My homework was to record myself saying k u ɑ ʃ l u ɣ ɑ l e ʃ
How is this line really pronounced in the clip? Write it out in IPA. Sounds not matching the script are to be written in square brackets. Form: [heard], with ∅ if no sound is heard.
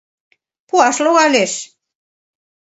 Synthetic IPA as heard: [p] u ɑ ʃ l [o] ɣ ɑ l e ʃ